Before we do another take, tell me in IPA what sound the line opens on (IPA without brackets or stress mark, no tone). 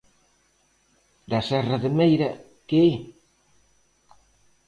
d̪